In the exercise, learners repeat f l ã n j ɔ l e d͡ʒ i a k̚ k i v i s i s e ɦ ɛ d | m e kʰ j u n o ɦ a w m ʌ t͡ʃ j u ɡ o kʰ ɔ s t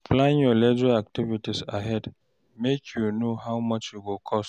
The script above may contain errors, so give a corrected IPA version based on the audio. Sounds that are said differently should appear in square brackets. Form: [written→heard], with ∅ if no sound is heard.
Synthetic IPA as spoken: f l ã n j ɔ l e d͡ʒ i a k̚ [k→t] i v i [s→t] i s [e→a] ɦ ɛ d | m e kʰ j u n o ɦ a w m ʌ t͡ʃ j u ɡ o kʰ ɔ s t